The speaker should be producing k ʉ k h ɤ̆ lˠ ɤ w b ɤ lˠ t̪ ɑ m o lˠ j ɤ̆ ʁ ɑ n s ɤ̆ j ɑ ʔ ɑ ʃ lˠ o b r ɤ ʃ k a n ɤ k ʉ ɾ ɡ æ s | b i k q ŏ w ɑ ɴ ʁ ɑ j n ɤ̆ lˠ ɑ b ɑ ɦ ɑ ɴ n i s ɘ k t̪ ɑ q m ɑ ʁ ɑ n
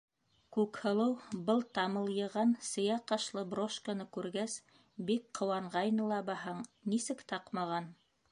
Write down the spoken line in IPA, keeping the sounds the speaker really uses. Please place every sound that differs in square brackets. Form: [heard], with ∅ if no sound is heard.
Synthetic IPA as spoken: k ʉ k h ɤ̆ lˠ ɤ w b ɤ lˠ t̪ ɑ m [ɤ] lˠ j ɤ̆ ʁ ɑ n s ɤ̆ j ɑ [q] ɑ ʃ lˠ [ɤ] b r [o] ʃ k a n ɤ k ʉ ɾ ɡ æ s | b i k q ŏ w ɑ ɴ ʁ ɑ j n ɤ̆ lˠ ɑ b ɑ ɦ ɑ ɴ n i s ɘ k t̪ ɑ q m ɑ ʁ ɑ n